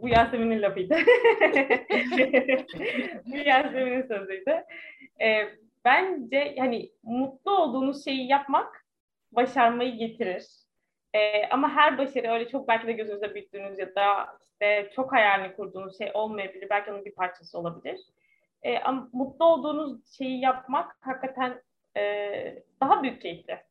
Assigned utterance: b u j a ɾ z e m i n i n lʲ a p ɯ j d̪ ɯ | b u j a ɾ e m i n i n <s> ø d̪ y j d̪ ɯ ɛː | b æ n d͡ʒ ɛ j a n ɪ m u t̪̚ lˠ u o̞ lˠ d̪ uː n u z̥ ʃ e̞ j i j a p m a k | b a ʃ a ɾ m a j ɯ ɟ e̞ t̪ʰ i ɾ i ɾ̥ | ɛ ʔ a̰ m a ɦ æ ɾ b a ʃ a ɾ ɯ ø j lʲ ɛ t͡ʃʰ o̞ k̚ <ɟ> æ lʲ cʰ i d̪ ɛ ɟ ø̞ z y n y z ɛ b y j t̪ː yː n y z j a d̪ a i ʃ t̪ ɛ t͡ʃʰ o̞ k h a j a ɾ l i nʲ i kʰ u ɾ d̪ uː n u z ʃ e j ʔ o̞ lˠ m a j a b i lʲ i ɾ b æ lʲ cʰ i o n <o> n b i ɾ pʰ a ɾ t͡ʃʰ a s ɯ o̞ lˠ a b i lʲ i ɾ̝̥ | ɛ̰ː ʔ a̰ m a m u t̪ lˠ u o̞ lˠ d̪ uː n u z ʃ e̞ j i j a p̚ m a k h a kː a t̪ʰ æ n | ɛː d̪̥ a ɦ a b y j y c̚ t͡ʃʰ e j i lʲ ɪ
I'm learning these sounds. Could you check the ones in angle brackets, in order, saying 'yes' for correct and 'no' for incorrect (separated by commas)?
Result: yes, no, no